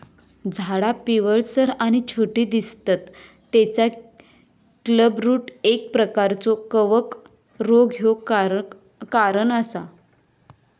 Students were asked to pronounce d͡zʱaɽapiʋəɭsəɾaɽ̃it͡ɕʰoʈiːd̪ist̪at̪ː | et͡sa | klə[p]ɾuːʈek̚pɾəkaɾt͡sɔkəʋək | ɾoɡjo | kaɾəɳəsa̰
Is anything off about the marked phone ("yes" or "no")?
yes